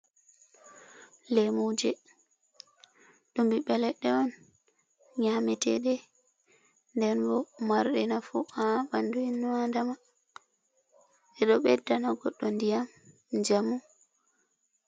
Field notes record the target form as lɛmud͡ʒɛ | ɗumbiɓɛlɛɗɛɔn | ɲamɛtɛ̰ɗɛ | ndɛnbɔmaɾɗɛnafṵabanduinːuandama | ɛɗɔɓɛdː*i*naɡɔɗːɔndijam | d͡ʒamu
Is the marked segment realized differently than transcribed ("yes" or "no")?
yes